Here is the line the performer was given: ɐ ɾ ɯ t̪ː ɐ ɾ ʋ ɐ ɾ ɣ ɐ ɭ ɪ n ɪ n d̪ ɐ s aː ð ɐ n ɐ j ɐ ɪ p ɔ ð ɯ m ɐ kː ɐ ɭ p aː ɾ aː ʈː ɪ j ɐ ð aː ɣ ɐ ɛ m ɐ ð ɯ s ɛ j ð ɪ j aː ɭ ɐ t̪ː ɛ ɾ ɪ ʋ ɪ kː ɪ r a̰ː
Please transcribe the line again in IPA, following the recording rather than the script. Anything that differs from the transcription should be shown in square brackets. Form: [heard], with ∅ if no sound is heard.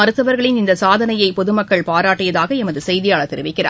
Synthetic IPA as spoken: ɐ ɾ ɯ t̪ː ɐ [∅] ʋ ɐ ɾ ɣ ɐ ɭ ɪ n ɪ n d̪ ɐ s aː ð ɐ n ɐ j ɐ ɪ p ɔ ð ɯ m ɐ kː ɐ ɭ p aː ɾ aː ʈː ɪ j ɐ ð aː ɣ ɐ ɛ m ɐ ð ɯ s ɛ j ð ɪ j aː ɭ ɐ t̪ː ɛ ɾ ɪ ʋ ɪ kː ɪ r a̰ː